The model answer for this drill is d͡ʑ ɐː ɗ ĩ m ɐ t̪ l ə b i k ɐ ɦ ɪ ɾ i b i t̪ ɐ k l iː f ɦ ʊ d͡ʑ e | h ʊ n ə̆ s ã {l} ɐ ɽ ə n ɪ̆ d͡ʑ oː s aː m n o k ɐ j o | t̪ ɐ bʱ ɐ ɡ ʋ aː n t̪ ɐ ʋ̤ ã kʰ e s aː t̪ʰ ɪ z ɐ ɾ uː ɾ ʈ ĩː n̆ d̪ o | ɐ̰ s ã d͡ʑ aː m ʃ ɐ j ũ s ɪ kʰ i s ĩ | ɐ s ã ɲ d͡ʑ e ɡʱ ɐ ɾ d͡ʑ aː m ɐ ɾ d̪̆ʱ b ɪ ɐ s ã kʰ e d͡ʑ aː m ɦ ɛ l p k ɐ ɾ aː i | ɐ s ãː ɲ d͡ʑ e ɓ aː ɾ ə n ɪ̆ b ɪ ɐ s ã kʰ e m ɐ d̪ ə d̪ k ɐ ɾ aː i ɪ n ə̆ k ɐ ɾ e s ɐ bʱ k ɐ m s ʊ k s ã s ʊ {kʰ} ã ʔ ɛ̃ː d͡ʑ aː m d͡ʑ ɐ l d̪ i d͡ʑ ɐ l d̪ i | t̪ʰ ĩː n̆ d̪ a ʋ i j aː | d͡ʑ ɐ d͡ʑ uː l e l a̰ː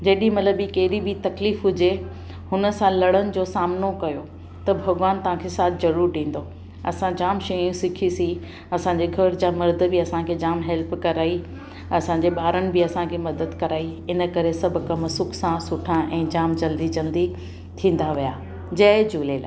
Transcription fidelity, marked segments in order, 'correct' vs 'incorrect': correct, incorrect

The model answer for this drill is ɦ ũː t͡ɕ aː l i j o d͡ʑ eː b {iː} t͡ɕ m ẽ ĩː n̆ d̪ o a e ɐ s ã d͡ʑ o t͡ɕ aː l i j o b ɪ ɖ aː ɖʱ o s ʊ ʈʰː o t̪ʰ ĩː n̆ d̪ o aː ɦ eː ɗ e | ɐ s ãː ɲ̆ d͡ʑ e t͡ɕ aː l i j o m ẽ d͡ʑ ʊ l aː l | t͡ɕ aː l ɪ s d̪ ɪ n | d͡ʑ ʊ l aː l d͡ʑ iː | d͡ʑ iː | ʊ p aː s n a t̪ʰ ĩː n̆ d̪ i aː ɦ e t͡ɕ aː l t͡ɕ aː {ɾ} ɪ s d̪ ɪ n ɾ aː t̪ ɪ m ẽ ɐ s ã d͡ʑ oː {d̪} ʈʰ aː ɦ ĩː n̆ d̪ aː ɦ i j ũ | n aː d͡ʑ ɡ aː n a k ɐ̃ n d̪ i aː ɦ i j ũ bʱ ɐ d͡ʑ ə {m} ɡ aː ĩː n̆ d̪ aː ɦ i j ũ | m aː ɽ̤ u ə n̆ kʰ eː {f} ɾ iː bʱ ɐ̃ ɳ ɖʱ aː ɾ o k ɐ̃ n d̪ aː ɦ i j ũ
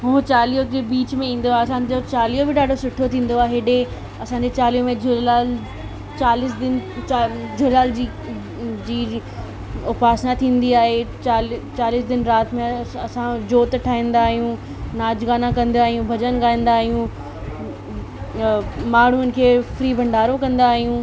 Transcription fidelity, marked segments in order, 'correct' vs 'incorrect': correct, incorrect, incorrect, incorrect, correct

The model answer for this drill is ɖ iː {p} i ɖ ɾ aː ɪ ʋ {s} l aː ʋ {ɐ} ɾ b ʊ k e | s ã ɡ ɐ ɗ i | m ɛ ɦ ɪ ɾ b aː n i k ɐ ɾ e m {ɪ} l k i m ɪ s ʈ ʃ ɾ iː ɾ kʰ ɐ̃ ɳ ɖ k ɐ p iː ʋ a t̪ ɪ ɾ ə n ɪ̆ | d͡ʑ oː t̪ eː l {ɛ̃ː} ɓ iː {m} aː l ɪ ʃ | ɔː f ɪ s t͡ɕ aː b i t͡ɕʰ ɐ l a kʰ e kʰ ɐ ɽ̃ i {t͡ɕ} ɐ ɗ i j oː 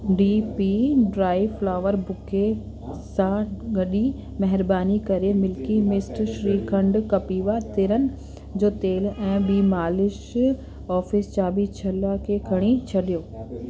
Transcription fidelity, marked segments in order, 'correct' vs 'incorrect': correct, incorrect, incorrect, correct, correct, correct, incorrect

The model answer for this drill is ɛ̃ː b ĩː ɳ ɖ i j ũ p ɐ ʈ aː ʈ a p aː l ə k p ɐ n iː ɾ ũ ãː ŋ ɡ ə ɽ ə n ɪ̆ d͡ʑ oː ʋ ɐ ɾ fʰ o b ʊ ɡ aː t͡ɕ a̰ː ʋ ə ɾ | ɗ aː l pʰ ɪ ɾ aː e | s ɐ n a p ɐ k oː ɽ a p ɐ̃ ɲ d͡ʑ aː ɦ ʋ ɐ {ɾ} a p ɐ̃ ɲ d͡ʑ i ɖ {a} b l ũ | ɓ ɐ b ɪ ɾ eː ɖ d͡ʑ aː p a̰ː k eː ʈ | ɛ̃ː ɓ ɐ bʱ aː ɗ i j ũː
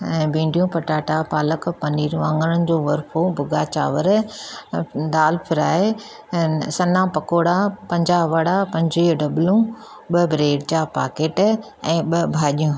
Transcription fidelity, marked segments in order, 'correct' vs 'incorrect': incorrect, incorrect

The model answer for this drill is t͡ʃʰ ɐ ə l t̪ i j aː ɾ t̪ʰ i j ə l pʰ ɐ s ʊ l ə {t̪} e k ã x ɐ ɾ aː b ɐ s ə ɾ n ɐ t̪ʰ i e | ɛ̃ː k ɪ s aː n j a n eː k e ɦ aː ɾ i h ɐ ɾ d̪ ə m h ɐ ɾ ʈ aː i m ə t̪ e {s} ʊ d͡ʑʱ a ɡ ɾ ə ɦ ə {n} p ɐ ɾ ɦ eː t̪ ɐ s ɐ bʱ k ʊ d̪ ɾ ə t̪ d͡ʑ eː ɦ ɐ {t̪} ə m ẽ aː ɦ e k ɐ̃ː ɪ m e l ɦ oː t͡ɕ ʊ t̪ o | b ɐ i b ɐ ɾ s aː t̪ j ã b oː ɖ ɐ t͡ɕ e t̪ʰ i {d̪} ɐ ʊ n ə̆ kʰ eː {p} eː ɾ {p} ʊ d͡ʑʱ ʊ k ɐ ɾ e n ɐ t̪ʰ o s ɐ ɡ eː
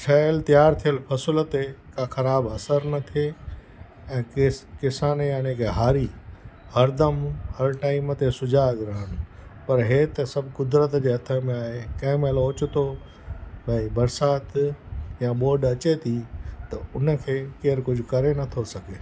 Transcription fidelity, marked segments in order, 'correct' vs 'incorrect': correct, correct, correct, incorrect, incorrect, incorrect, incorrect

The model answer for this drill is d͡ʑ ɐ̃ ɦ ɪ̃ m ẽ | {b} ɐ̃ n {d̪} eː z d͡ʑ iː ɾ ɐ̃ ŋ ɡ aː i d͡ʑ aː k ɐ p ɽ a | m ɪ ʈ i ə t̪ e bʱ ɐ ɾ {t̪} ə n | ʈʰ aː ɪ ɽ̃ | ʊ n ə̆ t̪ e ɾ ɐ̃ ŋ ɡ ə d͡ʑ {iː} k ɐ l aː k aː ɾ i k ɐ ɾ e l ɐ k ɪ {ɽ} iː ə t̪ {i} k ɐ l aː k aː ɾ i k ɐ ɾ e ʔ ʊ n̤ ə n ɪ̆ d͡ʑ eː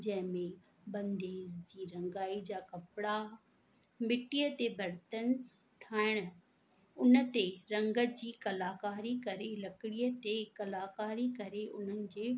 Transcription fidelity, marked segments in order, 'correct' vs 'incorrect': correct, correct, correct, correct, correct, incorrect

